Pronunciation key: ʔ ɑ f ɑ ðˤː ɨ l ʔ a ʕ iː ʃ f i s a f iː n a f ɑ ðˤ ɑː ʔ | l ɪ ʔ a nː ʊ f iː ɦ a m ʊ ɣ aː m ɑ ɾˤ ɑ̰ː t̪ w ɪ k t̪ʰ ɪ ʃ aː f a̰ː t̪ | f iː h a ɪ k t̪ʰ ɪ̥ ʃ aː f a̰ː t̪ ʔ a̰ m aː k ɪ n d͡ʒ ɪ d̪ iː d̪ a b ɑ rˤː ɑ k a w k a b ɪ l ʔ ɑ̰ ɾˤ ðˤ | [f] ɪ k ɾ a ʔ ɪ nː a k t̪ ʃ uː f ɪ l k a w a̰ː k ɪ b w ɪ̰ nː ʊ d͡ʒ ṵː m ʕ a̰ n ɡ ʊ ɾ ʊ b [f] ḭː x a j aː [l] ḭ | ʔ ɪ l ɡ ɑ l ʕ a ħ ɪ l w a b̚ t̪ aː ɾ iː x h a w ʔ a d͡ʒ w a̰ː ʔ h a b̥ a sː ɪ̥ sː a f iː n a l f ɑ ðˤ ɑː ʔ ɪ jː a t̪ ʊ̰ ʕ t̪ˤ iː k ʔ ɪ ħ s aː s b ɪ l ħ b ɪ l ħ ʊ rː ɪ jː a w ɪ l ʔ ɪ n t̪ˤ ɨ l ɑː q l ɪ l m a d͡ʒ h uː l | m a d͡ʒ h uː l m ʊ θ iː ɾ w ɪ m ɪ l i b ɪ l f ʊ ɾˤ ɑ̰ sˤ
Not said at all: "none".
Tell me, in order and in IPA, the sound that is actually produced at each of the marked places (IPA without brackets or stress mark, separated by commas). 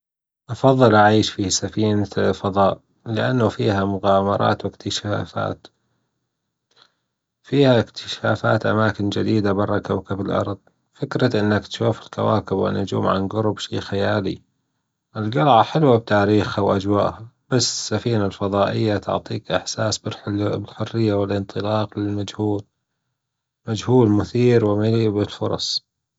f, ʃ, l